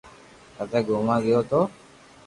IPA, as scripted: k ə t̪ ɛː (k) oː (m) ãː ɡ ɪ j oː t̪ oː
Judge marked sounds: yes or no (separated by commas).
no, yes